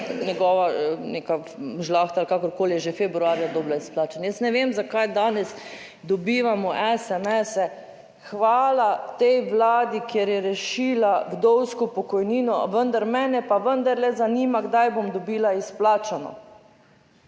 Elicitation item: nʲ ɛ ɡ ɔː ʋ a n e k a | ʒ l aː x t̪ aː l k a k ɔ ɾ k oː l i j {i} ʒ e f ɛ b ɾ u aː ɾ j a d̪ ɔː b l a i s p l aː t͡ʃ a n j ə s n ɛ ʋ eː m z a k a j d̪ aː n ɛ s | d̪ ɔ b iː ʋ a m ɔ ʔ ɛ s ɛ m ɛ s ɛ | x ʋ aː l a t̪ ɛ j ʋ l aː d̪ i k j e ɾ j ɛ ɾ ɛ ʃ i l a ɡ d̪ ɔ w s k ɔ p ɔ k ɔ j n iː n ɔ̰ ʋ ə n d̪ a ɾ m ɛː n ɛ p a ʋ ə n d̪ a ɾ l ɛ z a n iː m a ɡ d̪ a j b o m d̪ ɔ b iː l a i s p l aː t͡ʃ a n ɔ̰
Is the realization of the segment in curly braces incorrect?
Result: yes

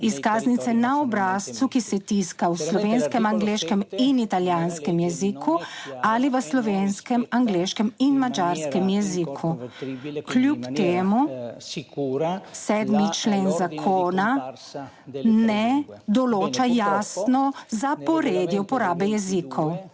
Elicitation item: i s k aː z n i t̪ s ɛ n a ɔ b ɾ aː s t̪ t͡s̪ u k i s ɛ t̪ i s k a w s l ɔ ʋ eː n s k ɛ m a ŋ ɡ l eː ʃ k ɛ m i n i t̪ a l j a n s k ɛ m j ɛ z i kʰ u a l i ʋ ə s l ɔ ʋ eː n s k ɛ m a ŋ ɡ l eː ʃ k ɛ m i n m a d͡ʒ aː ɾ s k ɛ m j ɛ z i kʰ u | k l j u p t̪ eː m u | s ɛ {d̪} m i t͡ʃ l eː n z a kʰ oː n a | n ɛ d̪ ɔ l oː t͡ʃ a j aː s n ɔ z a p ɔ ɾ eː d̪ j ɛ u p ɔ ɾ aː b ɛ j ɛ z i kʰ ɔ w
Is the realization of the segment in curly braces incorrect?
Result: no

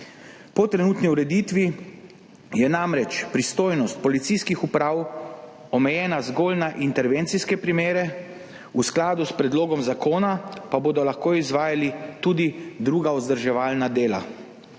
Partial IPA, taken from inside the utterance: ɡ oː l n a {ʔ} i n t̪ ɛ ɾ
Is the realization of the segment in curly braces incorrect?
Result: no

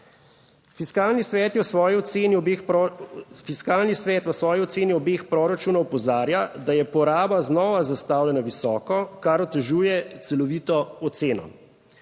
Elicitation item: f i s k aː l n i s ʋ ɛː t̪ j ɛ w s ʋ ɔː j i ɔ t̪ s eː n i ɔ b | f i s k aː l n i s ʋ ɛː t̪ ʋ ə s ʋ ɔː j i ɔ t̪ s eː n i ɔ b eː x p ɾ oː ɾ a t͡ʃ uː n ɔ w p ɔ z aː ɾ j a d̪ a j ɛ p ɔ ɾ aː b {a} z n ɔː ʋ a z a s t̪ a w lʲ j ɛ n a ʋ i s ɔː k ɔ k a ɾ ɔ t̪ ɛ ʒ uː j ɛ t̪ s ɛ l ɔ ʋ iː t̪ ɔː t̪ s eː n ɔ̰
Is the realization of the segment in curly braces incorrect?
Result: no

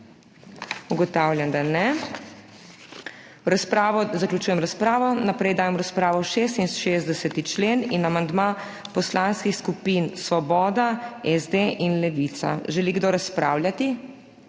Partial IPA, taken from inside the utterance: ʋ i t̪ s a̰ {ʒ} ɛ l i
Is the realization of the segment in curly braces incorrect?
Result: no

